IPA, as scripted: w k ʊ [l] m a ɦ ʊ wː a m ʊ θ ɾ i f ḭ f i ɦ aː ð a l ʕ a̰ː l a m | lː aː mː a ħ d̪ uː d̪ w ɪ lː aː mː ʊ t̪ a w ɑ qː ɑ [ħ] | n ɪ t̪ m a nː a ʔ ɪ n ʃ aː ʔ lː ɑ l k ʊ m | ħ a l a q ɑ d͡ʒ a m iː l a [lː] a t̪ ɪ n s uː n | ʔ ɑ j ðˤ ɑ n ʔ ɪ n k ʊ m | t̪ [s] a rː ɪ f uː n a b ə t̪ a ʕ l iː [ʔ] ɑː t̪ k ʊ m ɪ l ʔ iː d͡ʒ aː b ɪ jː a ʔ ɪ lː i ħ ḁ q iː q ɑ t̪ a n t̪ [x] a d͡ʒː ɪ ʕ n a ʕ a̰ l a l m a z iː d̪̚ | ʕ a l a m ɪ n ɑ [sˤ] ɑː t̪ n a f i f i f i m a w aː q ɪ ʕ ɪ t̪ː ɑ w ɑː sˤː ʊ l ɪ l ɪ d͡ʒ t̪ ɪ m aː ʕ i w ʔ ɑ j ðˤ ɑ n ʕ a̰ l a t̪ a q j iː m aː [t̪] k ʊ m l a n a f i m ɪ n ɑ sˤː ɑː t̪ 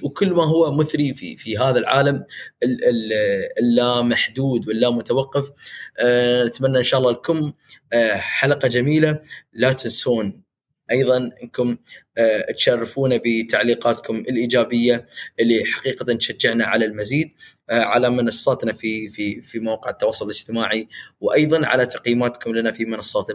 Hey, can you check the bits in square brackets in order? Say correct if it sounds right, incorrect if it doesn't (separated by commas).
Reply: incorrect, incorrect, incorrect, incorrect, incorrect, incorrect, incorrect, correct